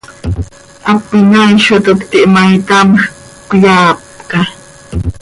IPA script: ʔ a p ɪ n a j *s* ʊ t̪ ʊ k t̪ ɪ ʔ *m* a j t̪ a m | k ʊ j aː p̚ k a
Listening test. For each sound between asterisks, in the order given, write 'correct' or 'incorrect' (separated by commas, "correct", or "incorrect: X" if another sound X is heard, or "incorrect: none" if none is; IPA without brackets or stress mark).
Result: incorrect: ʃ, correct